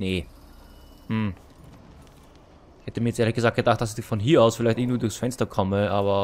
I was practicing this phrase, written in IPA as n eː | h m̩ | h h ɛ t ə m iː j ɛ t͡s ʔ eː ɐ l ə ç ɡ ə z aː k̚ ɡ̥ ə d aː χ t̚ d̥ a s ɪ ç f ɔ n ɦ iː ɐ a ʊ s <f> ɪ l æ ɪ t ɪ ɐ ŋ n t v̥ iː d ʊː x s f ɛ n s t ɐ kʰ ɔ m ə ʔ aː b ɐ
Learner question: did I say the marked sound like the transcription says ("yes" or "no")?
yes